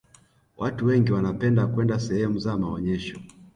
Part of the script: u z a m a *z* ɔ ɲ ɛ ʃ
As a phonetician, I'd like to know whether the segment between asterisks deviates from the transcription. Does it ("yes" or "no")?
yes